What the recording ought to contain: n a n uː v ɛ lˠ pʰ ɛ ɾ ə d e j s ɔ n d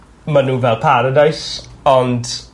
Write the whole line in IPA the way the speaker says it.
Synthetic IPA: m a n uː v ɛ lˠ pʰ a ɾ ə d a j s ɔ n d